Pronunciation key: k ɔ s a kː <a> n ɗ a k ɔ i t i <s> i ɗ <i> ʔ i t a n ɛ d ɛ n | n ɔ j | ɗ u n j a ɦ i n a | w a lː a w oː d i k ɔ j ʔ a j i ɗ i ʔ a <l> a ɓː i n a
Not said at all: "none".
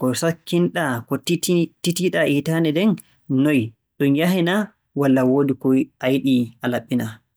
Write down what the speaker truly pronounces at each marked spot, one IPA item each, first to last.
i, t, a, l

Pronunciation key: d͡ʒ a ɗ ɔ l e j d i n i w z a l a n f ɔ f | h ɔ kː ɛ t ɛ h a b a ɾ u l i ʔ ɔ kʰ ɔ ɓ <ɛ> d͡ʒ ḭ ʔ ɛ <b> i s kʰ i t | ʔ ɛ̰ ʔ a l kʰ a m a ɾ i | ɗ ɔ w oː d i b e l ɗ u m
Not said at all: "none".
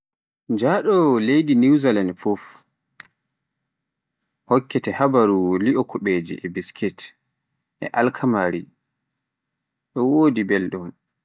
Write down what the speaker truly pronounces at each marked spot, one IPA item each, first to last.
e, b

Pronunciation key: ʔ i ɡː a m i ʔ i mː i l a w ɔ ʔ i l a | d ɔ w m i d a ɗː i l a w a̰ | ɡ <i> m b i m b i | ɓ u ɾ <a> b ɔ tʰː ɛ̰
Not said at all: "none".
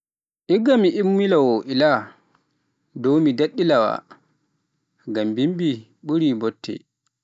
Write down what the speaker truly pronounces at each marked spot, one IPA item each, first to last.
a, i

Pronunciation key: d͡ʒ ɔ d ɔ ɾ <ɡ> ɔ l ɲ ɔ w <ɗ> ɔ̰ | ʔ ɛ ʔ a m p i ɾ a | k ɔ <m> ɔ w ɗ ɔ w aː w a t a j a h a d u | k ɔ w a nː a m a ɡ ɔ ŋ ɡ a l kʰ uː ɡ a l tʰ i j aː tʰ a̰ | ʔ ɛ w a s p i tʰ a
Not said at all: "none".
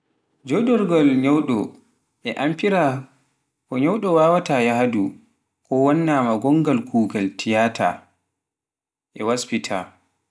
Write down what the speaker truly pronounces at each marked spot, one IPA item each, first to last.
ɡ, ɗ, ɲ

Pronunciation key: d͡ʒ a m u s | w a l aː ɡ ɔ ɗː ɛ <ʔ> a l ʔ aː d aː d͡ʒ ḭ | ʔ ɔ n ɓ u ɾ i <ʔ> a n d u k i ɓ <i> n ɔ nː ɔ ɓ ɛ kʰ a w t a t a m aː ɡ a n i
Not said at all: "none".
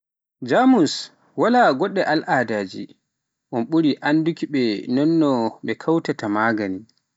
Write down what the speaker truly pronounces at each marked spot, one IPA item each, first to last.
ʔ, ʔ, ɛ

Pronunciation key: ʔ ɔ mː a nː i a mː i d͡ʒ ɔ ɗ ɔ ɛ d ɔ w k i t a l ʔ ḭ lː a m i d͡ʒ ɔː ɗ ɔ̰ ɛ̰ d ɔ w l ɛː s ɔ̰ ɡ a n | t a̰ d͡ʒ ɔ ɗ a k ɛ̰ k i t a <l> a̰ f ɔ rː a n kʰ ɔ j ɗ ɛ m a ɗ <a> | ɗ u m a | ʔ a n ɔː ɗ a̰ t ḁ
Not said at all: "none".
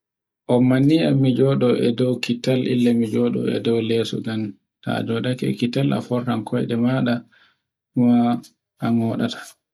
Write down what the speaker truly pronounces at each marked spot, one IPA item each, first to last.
l, a

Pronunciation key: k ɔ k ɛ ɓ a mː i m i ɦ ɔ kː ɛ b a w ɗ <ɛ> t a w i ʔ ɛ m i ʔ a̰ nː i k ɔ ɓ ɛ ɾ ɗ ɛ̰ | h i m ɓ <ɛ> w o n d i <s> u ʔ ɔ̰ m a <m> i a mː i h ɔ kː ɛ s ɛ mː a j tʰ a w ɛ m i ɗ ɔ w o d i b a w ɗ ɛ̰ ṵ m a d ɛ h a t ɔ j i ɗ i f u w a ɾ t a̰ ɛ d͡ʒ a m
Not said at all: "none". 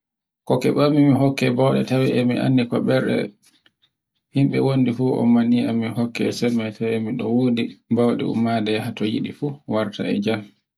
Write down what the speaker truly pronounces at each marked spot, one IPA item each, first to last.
ɛ, ɛ, f, n

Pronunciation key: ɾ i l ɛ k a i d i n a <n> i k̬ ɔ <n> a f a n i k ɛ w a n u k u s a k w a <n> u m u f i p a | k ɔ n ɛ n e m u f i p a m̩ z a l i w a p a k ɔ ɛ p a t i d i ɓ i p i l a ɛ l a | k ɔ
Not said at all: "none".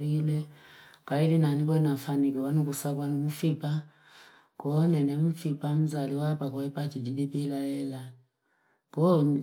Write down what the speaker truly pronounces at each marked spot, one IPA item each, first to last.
n, n, n

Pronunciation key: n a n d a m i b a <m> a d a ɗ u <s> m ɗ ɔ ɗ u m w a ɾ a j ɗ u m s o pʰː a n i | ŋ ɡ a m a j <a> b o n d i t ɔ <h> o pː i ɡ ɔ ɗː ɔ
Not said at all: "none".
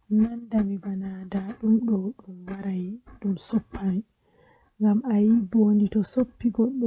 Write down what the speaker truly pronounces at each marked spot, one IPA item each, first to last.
n, none, i, s

